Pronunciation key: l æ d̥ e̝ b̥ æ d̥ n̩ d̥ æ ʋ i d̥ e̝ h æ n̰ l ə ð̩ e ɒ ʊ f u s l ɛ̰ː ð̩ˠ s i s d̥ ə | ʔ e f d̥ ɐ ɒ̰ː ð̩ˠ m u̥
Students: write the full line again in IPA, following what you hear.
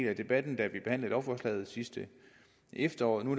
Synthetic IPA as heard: l æ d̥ e̝ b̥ æ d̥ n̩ d̥ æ ʋ i b̥ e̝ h æ n̰ l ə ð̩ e ɒ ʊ f ɒ s l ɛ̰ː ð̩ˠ s i s d̥ ə | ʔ e f d̥ ɐ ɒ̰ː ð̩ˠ n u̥